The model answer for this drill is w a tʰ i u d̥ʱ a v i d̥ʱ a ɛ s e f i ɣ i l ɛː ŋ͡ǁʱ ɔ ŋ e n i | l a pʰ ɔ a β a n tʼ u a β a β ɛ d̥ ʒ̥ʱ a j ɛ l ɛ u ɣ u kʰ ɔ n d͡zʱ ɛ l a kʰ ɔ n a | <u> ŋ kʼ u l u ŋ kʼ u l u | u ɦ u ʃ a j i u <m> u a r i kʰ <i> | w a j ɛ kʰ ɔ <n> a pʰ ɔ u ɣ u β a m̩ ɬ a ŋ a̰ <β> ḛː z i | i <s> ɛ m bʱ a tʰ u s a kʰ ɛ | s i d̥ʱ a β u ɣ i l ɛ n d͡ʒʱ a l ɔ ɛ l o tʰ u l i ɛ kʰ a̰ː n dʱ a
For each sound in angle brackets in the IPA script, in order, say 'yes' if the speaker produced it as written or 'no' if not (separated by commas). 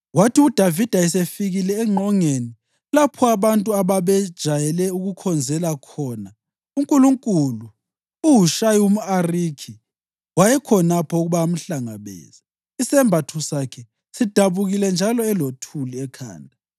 yes, yes, yes, yes, yes, yes